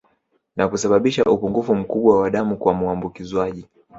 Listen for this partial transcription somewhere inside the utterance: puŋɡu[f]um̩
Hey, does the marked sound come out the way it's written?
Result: yes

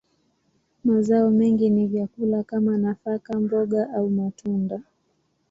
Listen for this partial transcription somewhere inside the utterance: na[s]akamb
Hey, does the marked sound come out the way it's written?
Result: no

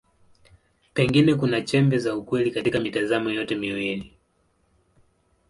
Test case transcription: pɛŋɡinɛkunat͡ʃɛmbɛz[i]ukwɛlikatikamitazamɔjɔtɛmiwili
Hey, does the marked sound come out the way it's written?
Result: no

